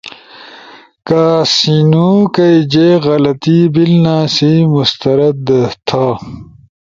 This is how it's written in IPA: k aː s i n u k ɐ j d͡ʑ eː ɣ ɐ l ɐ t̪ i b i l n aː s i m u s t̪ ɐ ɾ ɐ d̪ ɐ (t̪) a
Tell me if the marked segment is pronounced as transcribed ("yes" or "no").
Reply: no